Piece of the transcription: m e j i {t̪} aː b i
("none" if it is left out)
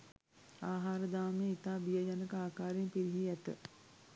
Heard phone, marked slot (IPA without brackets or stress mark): t̪